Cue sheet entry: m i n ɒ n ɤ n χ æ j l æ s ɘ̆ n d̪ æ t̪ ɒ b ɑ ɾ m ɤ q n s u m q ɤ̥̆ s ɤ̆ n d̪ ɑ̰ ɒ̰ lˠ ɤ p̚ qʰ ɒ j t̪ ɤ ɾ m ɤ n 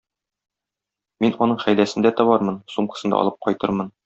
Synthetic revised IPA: m i n ɒ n ɤ ɴ χ æ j l æ s ɘ̆ n d̪ æ t̪ ɒ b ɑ ɾ m ɤ n s u m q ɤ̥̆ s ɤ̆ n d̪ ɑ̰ ɒ̰ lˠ ɤ p̚ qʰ ɒ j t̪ ɤ ɾ m ɤ n

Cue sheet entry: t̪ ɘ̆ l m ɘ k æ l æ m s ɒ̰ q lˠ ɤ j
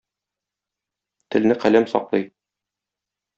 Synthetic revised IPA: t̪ ɘ̆ l n ɘ q æ l æ m s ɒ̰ q lˠ ɤ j

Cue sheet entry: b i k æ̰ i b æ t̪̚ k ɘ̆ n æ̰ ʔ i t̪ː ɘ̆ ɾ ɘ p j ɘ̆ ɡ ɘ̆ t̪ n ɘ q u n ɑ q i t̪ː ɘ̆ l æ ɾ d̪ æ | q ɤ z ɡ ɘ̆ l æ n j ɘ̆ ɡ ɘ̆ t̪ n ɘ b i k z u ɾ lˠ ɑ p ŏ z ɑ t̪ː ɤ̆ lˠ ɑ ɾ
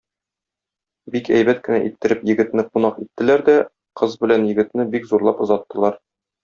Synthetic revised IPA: b i k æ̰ j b æ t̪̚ k ɘ̆ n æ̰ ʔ i t̪ː ɘ̆ ɾ ɘ p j ɘ̆ ɡ ɘ̆ t̪ n ɘ q u n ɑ q i t̪ː ɘ̆ l æ ɾ d̪ æ | q ɤ z b ɘ̆ l æ n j ɘ̆ ɡ ɘ̆ t̪ n ɘ b i k z u ɾ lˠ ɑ p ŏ z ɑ t̪ː ɤ̆ lˠ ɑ ɾ

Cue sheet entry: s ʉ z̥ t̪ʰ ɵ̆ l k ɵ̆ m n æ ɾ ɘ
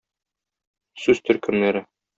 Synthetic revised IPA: s ʉ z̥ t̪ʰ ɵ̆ ɾ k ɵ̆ m n æ ɾ ɘ

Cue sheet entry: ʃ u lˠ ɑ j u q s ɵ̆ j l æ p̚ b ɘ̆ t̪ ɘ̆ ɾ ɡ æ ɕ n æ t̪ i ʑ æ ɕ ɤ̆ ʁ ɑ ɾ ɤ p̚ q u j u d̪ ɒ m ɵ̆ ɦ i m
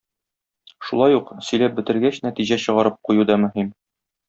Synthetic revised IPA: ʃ u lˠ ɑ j u q s ɵ̆ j l æ p̚ b ɘ̆ t̪ ɘ̆ ɾ ɡ æ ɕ n æ t̪ i ʑ æ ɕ ɤ̆ ʁ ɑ ɾ ɤ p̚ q u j u d̪ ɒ m ɵ̆ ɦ i m

